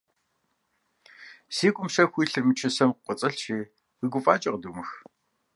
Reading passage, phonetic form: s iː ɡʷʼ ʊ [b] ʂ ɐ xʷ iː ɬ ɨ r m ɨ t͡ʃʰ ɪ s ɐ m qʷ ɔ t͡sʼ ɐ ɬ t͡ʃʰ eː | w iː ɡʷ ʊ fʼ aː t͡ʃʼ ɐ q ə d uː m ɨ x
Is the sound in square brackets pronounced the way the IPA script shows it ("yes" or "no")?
no